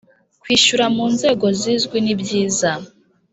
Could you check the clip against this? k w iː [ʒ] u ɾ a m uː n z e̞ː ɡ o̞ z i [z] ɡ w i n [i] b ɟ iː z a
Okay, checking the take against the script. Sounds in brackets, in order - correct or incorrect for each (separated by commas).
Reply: incorrect, correct, correct